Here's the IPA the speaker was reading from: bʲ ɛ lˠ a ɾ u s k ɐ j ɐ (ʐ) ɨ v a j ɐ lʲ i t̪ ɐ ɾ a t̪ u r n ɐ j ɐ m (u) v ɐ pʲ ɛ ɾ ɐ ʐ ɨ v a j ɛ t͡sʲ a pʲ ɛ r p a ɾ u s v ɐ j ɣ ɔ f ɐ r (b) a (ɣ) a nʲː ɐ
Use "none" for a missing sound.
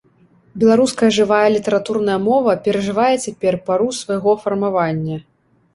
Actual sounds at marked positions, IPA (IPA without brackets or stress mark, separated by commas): ʐ, ɔ, m, v